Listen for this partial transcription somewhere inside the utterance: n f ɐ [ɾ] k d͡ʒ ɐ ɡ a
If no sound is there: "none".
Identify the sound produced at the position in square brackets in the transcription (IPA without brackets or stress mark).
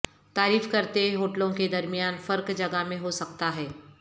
ɾ